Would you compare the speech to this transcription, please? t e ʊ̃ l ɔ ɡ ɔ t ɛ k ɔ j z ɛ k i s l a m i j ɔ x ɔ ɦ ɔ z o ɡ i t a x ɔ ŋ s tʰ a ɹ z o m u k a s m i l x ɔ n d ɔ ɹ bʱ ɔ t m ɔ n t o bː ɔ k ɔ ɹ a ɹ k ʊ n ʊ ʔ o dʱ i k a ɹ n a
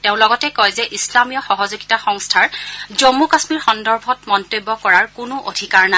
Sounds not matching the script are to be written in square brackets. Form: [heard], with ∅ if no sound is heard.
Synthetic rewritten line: t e ʊ̃ l ɔ ɡ ɔ t ɛ k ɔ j z ɛ [ʔ] i s l a m i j ɔ x ɔ ɦ ɔ z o ɡ i t a x ɔ ŋ s tʰ a ɹ z o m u k a s m i [ɹ] x ɔ n d ɔ ɹ bʱ ɔ t m ɔ n t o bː ɔ k ɔ ɹ a ɹ k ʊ n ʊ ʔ o dʱ i k a ɹ n a

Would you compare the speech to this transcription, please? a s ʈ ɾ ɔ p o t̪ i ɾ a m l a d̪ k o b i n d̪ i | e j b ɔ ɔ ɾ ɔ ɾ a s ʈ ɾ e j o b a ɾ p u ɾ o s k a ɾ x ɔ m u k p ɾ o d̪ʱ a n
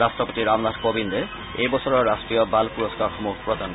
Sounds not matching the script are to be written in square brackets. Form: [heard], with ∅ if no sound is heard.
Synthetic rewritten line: a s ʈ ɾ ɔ p o t̪ i ɾ a m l a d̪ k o b i n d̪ [e] | e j b ɔ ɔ ɾ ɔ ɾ a s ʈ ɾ [i] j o b a [l] p u ɾ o s k a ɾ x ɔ m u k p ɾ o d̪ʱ a n

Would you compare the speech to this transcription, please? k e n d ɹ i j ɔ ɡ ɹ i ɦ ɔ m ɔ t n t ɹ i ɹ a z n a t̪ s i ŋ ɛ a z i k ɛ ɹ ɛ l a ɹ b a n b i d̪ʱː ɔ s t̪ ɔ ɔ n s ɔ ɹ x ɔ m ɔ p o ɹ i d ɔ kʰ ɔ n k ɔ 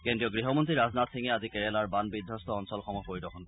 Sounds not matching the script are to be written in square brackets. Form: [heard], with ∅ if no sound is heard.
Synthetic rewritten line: k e n d ɹ i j ɔ ɡ ɹ i ɦ ɔ m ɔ [∅] n t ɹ i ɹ a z n a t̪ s i ŋ ɛ a z i k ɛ ɹ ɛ l a ɹ b a n b i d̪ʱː ɔ s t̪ ɔ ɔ n s ɔ [l] x ɔ m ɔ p o ɹ i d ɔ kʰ ɔ n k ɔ

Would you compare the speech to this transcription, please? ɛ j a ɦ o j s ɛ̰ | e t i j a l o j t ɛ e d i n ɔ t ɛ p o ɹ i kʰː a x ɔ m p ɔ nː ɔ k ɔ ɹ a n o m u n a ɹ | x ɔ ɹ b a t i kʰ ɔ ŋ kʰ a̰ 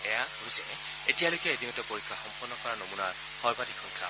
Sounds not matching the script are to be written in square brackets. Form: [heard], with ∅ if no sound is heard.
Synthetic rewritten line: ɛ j a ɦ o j s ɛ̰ | e t i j a l o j [k] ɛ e d i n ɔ t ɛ p o ɹ i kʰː a x ɔ m p ɔ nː ɔ k ɔ ɹ a n o m u n a ɹ | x ɔ ɹ b a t i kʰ ɔ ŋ kʰ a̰

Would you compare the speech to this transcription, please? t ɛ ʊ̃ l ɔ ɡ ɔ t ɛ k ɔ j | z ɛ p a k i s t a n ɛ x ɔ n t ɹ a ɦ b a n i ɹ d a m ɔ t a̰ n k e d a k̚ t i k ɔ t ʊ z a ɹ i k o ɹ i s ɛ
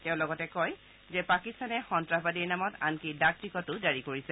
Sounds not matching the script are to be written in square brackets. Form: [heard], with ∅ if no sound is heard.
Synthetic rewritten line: t ɛ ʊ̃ l ɔ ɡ ɔ t ɛ k ɔ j | z ɛ p a k i s t a n ɛ x ɔ n t ɹ a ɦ b a [d] i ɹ [n] a m ɔ t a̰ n k [i] d a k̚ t i k ɔ t ʊ z a ɹ i k o ɹ i s ɛ

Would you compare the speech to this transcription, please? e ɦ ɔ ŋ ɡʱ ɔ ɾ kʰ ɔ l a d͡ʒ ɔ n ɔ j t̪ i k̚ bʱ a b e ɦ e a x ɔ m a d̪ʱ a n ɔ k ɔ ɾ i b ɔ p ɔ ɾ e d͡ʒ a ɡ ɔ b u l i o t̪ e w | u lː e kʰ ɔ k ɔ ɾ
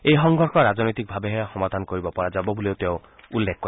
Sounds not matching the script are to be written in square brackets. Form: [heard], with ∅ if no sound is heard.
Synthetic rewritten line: e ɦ ɔ ŋ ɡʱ ɔ ɾ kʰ ɔ [ɾ] a d͡ʒ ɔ n ɔ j t̪ i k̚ bʱ a b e ɦ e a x ɔ m a d̪ʱ a n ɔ k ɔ ɾ i b ɔ p ɔ ɾ [a] d͡ʒ a [b] ɔ b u l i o t̪ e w | u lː e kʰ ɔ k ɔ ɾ

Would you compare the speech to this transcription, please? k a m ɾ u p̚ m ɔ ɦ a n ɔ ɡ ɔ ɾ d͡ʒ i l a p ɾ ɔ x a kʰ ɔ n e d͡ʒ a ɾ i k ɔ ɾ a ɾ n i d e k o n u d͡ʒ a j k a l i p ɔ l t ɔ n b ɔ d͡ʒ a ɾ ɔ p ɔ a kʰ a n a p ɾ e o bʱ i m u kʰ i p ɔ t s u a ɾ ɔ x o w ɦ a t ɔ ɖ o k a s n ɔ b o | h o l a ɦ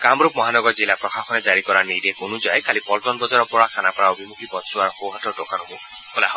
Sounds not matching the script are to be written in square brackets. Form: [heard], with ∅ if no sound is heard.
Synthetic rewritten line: k a m ɾ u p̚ m ɔ ɦ a n ɔ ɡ ɔ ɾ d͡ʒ i l a p ɾ ɔ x a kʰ ɔ n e d͡ʒ a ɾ i k ɔ ɾ a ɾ n i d e k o n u d͡ʒ a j k a l i p ɔ l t ɔ n b ɔ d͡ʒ a ɾ ɔ p ɔ a kʰ a n a p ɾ [a] o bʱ i m u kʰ i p ɔ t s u a ɾ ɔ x o w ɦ a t ɔ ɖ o k a [∅] n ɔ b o | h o l a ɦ

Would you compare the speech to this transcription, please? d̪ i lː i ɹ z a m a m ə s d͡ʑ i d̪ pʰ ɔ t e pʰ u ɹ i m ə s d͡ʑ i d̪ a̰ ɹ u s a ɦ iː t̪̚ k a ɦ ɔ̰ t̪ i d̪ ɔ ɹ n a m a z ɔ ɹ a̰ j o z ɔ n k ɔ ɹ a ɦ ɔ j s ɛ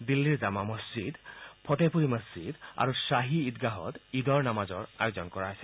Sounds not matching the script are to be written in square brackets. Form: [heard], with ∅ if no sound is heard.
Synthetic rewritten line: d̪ i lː i ɹ z a m a m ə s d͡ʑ i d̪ pʰ ɔ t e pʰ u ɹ i m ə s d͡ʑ i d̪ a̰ ɹ u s a ɦ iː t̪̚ [ɡ] a ɦ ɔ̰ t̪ i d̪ ɔ ɹ n a m a z ɔ ɹ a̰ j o z ɔ n k ɔ ɹ a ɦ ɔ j s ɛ

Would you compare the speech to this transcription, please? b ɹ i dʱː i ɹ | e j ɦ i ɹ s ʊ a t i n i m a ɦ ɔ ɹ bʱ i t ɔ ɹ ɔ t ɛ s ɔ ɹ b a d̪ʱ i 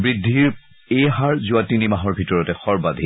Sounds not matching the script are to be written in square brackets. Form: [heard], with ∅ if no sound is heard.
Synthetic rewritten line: b ɹ i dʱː i ɹ | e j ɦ [a] ɹ [z] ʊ a t i n i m a ɦ ɔ ɹ bʱ i t ɔ ɹ ɔ t ɛ [x] ɔ ɹ b a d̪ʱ i

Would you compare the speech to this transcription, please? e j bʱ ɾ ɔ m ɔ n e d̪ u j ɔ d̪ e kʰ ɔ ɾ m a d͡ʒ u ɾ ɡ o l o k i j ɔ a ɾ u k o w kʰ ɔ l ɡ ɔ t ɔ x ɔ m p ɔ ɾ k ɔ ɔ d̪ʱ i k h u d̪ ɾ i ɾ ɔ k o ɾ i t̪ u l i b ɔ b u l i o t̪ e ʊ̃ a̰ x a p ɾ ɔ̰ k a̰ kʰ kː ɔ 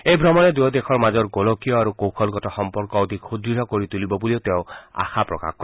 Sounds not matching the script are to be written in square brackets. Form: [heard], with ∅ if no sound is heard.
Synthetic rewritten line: e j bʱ ɾ ɔ m ɔ n e d̪ u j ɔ d̪ e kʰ ɔ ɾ m a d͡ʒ [ɔ] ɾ ɡ o l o k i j ɔ a ɾ u k o w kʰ ɔ l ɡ ɔ t ɔ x ɔ m p ɔ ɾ k ɔ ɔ d̪ʱ i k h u d̪ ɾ i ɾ ɔ k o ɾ i t̪ u l i b ɔ b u l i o t̪ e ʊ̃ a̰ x a p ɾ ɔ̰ k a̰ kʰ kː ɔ

